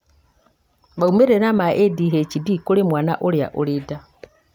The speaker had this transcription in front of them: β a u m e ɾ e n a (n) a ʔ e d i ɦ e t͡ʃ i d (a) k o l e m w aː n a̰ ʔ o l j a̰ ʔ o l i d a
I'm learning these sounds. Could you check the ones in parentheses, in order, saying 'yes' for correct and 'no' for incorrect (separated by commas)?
no, no